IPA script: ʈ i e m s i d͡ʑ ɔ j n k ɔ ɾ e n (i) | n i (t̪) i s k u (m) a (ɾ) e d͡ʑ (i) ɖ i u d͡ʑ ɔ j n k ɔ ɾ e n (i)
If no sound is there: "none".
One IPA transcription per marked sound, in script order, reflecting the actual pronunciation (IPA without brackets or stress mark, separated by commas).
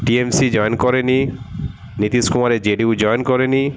i, t̪, m, ɾ, e, i